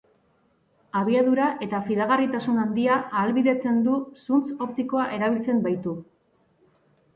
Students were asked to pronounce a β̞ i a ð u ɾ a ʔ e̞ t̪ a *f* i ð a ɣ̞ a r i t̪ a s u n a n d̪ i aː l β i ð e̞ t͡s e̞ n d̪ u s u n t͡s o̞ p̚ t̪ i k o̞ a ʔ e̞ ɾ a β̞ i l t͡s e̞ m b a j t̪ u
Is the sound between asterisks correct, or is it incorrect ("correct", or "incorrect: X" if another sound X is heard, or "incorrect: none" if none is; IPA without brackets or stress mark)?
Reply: correct